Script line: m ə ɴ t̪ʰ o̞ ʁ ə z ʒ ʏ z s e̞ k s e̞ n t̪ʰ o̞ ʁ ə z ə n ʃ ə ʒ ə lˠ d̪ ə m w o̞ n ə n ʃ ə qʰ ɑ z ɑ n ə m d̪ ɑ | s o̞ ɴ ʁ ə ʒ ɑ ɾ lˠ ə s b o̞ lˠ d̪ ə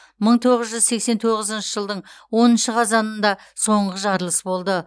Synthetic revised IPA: m ə ɴ t̪ʰ o̞ ʁ ə z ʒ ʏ z s e̞ k s e̞ n t̪ʰ o̞ ʁ ə z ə n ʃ ə ʒ ə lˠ d̪ ə ɴ w o̞ n ə n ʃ ə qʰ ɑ z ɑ n ə n d̪ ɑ | s o̞ ɴ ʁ ə ʒ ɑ ɾ lˠ ə s b o̞ lˠ d̪ ə